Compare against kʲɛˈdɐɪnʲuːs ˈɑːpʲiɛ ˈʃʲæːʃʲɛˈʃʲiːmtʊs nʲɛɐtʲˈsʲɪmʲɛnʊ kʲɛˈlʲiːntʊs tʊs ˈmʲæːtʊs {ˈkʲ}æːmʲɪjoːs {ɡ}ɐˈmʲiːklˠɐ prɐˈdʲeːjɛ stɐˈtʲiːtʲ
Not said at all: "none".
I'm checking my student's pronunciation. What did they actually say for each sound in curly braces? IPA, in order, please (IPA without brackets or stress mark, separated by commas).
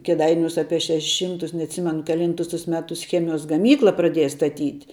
xʲ, ɡ